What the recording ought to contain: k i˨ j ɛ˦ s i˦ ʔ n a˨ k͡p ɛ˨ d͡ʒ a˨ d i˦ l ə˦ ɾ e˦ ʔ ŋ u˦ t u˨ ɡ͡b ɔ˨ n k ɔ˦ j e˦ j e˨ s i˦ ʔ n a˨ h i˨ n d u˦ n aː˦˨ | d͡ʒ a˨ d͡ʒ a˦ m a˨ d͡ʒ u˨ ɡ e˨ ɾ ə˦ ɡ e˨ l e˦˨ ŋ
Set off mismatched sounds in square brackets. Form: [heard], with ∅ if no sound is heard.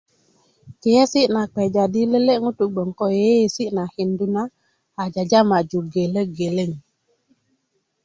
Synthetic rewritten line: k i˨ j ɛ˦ s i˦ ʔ n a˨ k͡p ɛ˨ d͡ʒ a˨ d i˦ l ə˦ [l] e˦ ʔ ŋ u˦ t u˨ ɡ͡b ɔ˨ [ŋ] k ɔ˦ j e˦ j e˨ s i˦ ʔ n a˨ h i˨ n d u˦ n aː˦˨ | d͡ʒ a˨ d͡ʒ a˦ m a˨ d͡ʒ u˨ ɡ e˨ [l] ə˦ ɡ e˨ l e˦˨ ŋ

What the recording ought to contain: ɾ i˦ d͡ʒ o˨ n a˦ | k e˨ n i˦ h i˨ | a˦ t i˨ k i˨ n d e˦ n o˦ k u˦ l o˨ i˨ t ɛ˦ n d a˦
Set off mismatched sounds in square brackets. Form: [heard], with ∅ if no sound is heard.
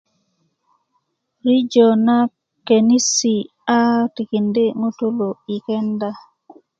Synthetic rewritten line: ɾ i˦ d͡ʒ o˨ n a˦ | k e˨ n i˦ [s] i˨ | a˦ t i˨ k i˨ n d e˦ [ŋ] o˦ [t] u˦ l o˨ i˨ [k] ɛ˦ n d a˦

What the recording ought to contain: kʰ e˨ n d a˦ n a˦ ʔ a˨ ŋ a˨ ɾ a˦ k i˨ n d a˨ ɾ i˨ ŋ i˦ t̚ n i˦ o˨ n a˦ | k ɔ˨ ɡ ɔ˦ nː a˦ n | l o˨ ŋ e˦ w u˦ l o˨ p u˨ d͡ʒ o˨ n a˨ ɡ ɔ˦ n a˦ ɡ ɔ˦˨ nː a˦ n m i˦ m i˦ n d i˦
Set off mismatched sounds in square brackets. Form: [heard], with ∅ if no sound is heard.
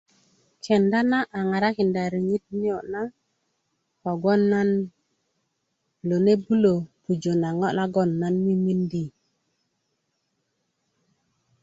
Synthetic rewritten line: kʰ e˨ n d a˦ n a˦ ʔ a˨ ŋ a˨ ɾ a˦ k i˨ n d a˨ ɾ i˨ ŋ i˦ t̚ n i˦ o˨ n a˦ | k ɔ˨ ɡ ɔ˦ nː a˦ n | l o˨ [n] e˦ [b] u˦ l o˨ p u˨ d͡ʒ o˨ n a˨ [ŋ] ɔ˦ n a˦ ɡ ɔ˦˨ nː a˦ n m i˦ m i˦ n d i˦

